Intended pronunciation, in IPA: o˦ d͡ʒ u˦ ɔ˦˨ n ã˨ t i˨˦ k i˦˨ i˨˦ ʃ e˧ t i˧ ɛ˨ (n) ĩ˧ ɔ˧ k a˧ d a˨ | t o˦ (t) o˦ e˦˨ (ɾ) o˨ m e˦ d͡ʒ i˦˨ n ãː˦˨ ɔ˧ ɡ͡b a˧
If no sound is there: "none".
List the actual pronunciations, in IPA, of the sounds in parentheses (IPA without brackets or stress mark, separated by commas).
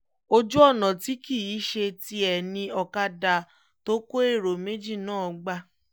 n, k, ɾ